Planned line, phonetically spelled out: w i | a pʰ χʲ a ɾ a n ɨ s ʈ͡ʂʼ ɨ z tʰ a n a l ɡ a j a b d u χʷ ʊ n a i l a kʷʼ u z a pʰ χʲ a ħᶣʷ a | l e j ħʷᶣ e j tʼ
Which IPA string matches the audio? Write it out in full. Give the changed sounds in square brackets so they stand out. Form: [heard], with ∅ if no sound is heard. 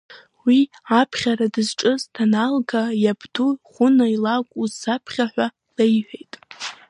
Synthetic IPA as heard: w i | a pʰ χʲ a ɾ a [d] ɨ [z] ʈ͡ʂʼ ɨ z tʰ a n a l ɡ a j a b d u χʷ ʊ n a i l a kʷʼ u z a pʰ χʲ a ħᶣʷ a | l e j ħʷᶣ e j tʼ